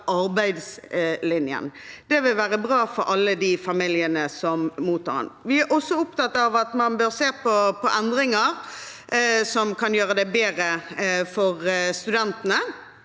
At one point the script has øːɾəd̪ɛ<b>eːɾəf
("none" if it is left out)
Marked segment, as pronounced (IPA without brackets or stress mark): b